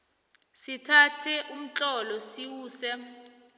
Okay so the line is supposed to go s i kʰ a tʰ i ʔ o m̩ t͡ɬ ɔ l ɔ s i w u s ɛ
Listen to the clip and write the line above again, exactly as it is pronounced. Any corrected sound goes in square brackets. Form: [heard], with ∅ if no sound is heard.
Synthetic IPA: s i [tʰ] a tʰ [ɛ] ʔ [u] m̩ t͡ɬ ɔ l ɔ s i w [uː] s ɛ